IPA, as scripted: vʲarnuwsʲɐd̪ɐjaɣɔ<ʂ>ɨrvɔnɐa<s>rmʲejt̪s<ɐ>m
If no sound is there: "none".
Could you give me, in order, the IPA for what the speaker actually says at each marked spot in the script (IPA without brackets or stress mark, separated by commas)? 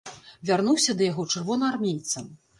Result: t͡ʂ, none, ɐ